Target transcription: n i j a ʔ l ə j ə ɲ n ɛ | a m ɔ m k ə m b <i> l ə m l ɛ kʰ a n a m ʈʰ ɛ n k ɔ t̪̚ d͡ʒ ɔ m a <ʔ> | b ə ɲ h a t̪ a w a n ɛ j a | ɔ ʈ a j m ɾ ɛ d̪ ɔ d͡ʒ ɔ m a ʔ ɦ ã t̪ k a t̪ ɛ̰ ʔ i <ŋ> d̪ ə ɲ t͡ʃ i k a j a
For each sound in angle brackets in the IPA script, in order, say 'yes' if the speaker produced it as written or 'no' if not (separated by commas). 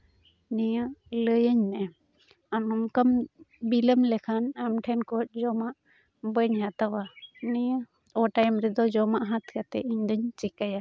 yes, yes, no